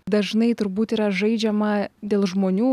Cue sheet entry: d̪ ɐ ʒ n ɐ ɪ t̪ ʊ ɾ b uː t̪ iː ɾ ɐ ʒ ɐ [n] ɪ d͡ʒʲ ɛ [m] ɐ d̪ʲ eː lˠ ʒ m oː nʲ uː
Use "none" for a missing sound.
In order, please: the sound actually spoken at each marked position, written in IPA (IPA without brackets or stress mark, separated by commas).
none, m